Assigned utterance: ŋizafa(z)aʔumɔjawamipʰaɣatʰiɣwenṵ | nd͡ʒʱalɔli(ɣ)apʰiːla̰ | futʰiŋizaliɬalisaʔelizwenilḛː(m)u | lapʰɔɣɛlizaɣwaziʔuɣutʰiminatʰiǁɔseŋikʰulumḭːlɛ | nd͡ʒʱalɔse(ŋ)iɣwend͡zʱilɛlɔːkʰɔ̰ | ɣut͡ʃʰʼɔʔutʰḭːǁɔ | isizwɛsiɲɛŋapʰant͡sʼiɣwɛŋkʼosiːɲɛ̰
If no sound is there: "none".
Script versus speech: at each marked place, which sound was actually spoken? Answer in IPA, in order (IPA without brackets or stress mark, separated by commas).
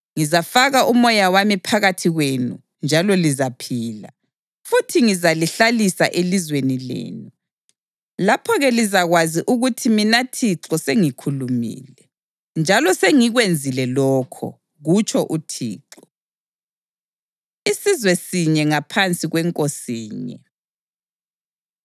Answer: ɣ, z, n, ŋ